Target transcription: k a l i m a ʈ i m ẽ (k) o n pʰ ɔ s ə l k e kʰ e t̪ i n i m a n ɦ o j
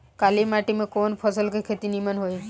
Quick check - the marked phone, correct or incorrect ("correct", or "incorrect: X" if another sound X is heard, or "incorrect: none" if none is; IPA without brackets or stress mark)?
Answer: correct